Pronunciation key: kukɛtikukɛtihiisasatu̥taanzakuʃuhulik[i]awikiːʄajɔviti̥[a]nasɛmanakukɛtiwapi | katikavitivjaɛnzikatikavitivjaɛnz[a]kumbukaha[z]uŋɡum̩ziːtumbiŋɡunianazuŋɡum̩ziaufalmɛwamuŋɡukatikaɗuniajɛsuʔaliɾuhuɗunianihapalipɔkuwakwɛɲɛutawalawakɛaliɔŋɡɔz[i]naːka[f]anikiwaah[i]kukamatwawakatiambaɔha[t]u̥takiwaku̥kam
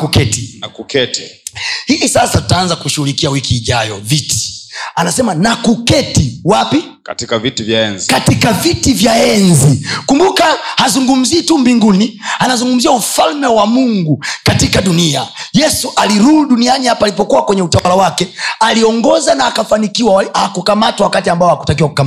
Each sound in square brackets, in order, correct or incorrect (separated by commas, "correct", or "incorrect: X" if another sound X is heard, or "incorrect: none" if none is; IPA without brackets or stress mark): correct, correct, incorrect: i, correct, incorrect: a, correct, incorrect: a, incorrect: k